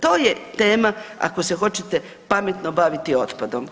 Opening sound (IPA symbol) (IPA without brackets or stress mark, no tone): t̪